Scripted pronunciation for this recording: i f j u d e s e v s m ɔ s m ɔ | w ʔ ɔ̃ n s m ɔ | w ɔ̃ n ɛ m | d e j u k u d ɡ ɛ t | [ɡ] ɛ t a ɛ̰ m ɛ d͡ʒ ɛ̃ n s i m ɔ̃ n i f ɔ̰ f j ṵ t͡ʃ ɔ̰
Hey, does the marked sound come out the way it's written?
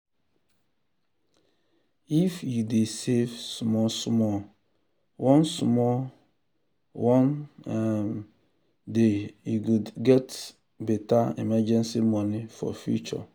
no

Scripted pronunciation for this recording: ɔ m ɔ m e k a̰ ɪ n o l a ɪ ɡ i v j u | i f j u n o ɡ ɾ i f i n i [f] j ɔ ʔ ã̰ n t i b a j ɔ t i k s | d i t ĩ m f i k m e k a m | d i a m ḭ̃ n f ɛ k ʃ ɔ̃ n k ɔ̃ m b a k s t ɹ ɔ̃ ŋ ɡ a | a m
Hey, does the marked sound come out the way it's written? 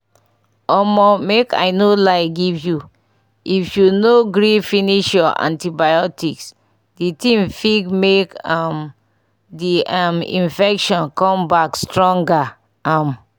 no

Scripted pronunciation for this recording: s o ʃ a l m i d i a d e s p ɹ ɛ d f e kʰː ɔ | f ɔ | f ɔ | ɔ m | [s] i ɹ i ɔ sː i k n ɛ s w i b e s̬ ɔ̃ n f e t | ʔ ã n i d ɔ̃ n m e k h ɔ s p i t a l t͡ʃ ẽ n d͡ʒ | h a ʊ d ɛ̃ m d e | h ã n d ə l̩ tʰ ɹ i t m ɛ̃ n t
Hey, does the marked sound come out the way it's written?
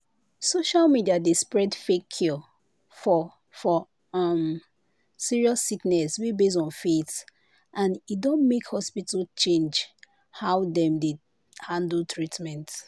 yes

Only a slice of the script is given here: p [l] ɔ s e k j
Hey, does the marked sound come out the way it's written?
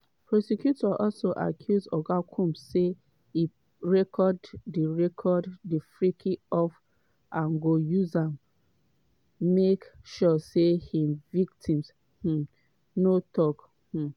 no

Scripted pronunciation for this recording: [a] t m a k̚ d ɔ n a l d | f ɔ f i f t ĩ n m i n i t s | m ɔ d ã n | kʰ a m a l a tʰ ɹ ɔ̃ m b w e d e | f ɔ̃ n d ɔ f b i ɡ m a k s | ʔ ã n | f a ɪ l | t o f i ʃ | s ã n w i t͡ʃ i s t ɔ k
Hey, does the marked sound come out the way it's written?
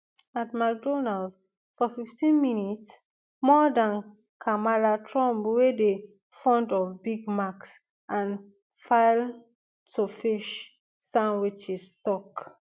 yes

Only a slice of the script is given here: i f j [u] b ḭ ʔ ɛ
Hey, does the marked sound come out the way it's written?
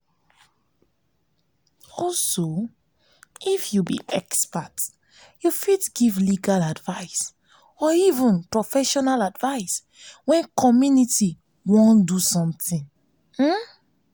yes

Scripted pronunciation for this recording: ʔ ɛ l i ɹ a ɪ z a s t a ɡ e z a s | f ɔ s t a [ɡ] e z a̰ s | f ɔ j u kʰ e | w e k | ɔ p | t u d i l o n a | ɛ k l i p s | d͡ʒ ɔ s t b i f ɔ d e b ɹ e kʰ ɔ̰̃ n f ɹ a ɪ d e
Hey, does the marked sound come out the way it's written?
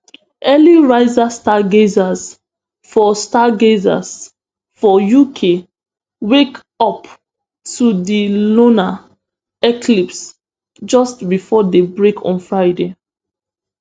yes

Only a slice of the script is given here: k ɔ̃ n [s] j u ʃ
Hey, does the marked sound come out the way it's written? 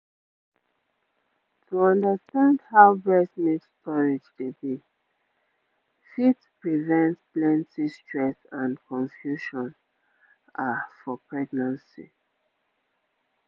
no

